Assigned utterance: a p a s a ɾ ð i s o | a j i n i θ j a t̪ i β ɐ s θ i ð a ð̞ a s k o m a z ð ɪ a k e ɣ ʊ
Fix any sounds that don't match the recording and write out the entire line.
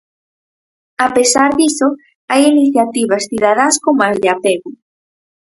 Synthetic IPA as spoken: a p e s a ɾ ð i s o | a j i n i θ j a t̪ i β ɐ s θ i ð a ð̞ a s k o m a z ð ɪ a p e ɣ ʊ